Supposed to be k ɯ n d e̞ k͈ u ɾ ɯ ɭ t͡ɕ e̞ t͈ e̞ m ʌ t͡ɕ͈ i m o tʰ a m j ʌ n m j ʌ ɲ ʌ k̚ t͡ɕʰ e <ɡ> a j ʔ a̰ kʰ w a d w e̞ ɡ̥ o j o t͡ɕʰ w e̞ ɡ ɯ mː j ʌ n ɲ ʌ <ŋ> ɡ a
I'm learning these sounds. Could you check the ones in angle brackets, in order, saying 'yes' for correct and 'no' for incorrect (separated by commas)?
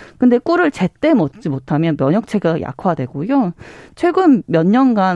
yes, no